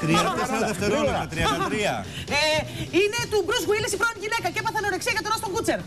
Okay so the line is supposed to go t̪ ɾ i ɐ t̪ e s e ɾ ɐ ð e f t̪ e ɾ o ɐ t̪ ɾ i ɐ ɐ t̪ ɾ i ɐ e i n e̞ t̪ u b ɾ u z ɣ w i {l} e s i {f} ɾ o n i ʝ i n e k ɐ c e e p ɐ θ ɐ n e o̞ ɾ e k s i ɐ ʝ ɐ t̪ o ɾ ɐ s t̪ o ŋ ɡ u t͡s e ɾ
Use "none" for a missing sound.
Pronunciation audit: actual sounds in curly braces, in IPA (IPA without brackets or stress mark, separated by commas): l, f